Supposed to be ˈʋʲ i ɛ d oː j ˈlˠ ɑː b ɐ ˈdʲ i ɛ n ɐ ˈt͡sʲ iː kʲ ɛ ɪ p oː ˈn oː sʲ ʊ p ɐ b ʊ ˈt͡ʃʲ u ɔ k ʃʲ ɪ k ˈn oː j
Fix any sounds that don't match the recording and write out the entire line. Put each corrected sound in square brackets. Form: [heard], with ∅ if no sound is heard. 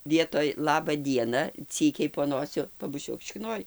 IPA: ˈʋʲ i ɛ [t] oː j ˈlˠ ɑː b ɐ ˈdʲ i ɛ n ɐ ˈt͡sʲ iː kʲ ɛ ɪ p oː ˈn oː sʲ ʊ p ɐ b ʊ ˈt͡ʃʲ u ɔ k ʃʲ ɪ k ˈn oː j